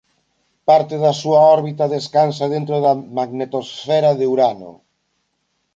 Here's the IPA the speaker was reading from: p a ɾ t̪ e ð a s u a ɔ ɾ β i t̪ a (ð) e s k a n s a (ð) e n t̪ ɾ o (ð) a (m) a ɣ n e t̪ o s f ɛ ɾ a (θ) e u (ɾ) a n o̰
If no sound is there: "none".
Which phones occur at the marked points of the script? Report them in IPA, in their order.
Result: ð, ð, ð, m, ð, ɾ

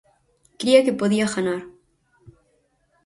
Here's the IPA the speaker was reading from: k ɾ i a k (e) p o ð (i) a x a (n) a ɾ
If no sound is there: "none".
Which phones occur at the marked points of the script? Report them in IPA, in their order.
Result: e, i, n

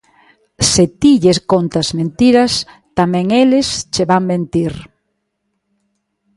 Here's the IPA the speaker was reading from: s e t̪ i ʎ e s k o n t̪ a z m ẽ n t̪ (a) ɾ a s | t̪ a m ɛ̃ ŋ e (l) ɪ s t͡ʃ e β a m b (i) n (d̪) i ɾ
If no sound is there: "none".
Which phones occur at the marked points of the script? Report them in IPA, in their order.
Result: i, l, e, t̪

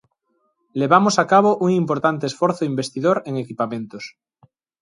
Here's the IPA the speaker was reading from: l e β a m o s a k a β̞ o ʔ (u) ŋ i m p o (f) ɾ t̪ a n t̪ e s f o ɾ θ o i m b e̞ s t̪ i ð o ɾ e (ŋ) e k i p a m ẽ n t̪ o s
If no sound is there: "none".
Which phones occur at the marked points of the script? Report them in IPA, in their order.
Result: u, none, ŋ

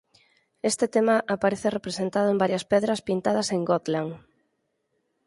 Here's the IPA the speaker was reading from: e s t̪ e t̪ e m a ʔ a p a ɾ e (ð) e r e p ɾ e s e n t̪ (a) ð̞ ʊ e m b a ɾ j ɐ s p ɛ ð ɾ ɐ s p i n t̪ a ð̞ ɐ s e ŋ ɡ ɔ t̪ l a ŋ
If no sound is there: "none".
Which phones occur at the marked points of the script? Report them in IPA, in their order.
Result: θ, a

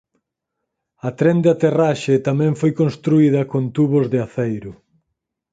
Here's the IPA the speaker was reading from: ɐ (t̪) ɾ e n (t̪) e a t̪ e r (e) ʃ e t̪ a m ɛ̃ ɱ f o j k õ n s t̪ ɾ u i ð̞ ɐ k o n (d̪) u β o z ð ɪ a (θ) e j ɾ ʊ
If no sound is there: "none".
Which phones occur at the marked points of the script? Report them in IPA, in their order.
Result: t̪, d̪, a, t̪, θ

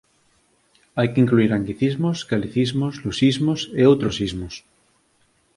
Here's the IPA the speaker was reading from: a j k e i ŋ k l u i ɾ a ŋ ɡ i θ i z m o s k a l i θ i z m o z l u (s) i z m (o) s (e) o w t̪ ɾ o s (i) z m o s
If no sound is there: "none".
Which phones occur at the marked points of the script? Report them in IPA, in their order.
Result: s, o, e, i

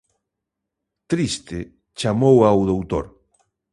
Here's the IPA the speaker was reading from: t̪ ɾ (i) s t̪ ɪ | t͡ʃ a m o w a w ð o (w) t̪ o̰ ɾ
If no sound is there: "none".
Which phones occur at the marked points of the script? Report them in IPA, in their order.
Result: i, w

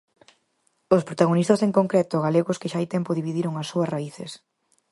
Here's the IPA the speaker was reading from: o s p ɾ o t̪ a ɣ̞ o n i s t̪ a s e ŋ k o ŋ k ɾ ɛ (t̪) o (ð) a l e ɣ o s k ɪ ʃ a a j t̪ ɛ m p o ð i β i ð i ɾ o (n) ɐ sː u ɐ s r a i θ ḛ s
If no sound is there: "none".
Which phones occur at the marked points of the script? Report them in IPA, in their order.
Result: t̪, ɣ, ŋ

